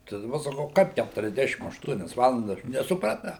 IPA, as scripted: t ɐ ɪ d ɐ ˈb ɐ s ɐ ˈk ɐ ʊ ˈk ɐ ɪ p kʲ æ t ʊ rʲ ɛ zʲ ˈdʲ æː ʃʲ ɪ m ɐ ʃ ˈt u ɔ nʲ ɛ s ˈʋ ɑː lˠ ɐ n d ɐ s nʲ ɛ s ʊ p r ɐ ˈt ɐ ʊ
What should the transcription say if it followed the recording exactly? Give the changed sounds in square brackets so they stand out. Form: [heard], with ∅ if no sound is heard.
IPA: t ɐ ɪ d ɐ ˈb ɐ s ɐ ˈk ɐ ʊ ˈk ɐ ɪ p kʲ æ t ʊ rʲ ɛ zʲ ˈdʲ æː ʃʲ ɪ m ɐ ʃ ˈt u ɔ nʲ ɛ s ˈʋ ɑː lˠ ɐ n d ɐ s nʲ ɛ s ʊ p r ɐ ˈt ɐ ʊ